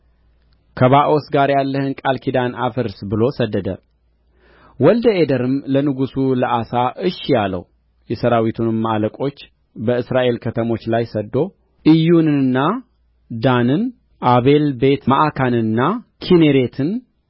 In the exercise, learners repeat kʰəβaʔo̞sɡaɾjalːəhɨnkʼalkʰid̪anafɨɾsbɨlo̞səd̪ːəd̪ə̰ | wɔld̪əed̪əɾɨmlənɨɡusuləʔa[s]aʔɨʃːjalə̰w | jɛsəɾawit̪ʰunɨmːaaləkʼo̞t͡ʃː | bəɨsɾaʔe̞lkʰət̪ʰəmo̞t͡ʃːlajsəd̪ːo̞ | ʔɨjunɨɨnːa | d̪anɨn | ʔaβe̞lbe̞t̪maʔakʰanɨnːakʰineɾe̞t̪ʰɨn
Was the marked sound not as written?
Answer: no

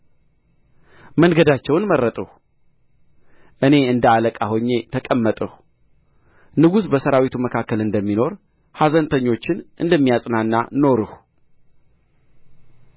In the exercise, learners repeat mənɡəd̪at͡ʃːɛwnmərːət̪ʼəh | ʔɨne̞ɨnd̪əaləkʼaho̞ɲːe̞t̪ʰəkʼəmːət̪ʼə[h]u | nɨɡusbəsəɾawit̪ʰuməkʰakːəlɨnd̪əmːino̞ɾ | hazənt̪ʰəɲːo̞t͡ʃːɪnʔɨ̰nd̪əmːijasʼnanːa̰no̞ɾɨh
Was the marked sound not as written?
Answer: no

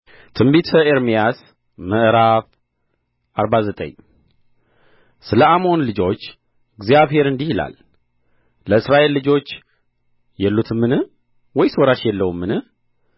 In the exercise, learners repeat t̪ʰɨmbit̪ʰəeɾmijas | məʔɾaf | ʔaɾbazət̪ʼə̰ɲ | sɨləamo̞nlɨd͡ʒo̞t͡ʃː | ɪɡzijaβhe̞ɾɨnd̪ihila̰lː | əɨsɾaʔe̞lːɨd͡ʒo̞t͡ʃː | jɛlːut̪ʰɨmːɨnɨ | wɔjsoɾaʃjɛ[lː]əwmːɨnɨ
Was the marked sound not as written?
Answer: no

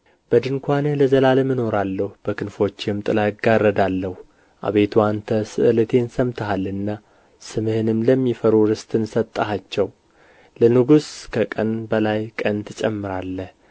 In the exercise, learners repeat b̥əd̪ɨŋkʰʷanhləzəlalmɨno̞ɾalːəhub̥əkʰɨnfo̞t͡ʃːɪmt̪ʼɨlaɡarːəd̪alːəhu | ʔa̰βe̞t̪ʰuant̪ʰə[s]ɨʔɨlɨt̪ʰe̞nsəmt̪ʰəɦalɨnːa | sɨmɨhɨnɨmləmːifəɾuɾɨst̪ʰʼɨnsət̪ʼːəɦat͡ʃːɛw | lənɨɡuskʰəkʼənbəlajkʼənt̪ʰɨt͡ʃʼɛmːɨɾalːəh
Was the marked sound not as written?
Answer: no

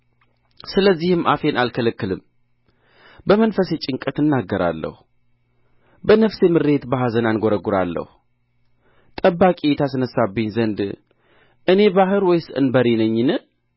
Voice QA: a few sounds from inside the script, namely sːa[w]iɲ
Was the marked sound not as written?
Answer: yes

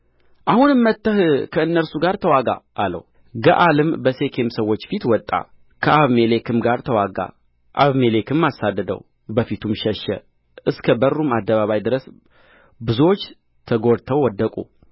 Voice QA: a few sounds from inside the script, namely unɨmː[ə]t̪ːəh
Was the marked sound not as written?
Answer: no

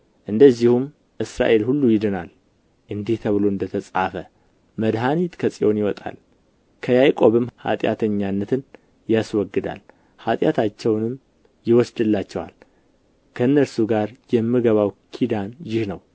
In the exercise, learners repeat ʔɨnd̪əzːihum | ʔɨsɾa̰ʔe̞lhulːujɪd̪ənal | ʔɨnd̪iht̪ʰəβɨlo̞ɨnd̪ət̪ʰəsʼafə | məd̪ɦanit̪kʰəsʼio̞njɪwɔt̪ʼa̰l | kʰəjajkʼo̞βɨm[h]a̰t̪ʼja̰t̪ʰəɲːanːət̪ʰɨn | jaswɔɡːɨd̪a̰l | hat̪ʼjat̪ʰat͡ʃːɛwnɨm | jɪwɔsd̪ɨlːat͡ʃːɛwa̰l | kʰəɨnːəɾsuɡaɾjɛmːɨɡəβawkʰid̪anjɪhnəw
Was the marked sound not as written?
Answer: no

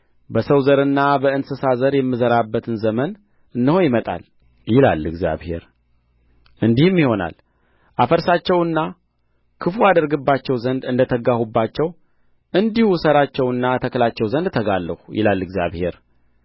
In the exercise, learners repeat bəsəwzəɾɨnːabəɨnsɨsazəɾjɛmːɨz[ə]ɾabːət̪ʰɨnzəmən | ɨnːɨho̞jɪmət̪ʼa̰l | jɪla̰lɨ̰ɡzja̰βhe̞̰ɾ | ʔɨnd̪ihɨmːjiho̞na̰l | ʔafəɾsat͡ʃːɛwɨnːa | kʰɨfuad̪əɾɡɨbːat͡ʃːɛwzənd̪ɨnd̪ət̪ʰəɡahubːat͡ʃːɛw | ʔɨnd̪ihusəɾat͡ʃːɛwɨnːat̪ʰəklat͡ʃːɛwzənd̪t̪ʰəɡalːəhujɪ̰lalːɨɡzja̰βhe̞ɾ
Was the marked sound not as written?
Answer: no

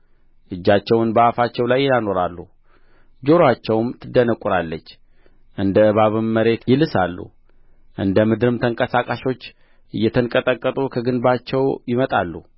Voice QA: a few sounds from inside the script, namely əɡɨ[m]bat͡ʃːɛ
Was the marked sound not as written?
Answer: yes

